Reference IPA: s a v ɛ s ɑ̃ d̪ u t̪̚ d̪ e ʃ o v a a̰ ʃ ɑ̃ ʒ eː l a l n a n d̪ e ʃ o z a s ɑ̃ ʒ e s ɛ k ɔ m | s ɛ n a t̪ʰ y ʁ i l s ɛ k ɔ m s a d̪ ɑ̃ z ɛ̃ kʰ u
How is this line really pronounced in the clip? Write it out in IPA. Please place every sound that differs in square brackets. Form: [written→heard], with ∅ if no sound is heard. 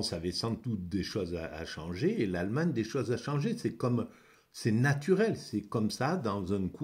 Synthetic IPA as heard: s a v ɛ s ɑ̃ d̪ u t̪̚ d̪ e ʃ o [v→z] a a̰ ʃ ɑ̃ ʒ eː l a l [n→m] a [n→ɲ] d̪ e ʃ o z a [s→ʃ] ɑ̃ ʒ e s ɛ k ɔ m | s ɛ n a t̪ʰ y ʁ [i→ɛ] l s ɛ k ɔ m s a d̪ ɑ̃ z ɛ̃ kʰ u